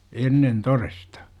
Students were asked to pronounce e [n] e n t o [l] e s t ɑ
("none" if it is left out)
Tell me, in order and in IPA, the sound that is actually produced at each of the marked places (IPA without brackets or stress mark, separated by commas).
nː, r